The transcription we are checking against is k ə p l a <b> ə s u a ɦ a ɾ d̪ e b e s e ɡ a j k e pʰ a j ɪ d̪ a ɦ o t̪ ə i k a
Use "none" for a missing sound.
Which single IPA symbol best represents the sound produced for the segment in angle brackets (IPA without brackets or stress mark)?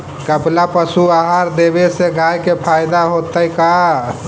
p